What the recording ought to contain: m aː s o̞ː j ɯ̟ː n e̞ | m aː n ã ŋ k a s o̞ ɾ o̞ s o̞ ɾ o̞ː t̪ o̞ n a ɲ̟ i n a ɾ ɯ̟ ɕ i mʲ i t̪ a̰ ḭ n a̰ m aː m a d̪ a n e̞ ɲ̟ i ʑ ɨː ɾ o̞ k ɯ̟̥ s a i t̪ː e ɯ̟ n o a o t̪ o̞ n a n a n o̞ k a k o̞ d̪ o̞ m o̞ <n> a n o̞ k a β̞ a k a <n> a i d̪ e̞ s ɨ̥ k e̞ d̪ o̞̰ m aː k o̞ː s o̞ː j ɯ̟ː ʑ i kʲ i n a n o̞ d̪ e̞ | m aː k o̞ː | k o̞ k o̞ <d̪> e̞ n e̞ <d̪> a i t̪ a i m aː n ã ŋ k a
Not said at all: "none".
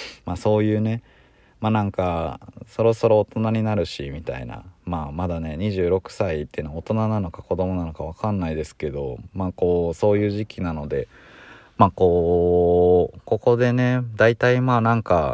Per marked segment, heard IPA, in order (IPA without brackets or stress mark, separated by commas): n, nː, d̪, d̪